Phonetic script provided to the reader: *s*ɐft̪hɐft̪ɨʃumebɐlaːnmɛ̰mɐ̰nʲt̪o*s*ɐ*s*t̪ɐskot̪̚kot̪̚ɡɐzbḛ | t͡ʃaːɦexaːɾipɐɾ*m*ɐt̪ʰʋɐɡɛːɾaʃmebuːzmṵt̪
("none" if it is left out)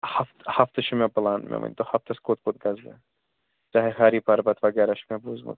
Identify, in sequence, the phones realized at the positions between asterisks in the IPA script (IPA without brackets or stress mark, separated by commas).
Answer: h, h, f, b